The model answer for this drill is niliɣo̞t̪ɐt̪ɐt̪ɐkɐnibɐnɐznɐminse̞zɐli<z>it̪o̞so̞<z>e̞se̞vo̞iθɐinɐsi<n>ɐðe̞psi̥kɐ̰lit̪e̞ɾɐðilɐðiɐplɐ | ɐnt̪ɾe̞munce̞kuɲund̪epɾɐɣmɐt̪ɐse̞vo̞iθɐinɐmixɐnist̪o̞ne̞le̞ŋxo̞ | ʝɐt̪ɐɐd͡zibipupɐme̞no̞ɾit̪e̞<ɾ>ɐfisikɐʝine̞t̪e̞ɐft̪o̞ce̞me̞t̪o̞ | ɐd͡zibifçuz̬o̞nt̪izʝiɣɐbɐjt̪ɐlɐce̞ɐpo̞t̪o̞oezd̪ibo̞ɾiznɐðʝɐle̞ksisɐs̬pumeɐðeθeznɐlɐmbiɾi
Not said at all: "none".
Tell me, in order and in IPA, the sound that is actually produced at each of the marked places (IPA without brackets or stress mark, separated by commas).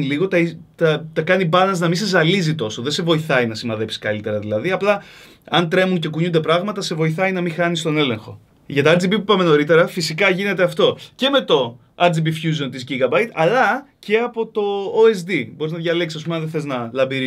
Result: z, ð, m, ɾ